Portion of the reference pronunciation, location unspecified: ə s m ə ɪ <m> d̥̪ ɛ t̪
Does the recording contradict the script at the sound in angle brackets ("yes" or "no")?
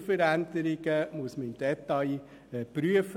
no